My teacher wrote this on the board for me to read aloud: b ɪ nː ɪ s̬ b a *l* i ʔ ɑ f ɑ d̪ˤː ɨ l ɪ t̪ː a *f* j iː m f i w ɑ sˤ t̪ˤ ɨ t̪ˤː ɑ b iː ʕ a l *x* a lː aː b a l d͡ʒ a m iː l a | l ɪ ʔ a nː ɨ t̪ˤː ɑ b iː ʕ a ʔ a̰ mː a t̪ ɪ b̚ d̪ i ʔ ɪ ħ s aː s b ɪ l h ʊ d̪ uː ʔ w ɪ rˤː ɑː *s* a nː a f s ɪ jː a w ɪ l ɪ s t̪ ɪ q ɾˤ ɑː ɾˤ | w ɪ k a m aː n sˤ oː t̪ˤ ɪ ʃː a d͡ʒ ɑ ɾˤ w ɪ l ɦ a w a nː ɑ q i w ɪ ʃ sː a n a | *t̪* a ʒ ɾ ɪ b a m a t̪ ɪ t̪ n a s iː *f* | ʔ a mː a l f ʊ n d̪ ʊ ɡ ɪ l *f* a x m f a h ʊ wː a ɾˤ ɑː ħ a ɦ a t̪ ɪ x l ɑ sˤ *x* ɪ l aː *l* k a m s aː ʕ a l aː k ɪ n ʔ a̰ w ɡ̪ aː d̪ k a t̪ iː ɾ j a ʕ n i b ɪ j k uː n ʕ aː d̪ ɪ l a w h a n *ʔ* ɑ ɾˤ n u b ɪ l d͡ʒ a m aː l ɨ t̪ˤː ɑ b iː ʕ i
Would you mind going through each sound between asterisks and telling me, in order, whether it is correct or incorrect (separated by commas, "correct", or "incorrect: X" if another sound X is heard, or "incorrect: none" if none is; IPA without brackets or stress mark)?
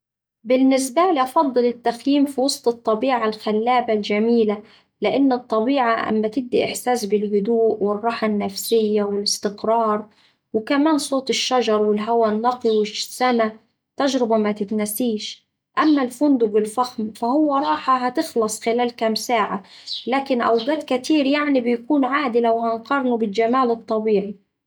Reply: correct, incorrect: x, correct, incorrect: ħ, correct, incorrect: ʃ, correct, correct, correct, incorrect: q